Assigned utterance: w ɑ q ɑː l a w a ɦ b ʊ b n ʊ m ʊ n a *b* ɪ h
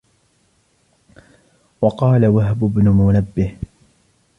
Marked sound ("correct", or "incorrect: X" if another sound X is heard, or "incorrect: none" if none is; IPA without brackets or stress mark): incorrect: bː